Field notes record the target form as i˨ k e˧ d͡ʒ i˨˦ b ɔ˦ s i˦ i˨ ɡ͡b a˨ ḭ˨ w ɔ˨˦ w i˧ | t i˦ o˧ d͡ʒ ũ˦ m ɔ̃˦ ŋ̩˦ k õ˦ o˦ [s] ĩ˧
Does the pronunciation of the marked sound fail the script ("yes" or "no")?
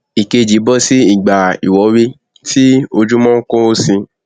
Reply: no